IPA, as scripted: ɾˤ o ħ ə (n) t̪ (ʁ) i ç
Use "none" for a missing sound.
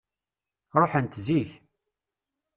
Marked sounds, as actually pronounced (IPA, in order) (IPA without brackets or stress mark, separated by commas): n, z